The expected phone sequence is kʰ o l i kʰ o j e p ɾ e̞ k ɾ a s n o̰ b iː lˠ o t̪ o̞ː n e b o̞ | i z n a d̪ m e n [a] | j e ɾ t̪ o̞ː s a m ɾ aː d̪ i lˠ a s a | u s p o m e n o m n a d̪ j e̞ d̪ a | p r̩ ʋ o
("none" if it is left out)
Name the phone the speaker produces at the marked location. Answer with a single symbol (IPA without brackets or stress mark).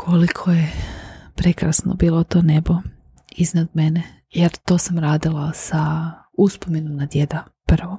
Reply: e